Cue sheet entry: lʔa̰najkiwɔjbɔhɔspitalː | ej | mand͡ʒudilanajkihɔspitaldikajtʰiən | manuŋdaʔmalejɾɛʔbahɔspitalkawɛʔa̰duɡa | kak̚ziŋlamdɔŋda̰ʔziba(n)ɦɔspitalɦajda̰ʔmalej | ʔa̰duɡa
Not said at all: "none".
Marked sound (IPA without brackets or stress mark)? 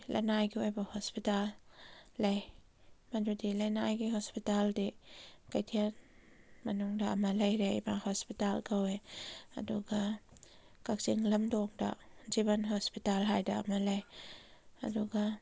n